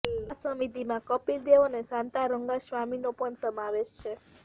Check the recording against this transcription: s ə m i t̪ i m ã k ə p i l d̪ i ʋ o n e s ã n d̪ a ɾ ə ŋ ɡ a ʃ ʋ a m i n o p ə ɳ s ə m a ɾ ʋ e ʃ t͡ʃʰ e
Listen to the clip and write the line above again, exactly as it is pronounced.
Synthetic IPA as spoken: s ə m i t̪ i m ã k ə p i l d̪ e ʋ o n e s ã n t̪ a ɾ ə ŋ ɡ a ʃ ʋ a m i n o p ə ɳ s ə m a ʋ e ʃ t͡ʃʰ e